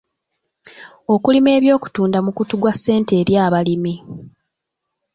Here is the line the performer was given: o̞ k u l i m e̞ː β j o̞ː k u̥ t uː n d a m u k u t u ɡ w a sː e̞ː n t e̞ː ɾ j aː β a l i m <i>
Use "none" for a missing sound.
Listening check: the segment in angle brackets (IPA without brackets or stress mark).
i